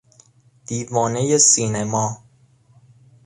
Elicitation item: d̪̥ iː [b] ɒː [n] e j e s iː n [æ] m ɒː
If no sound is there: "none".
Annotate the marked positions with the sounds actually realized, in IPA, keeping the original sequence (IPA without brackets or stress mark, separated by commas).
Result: v, n, e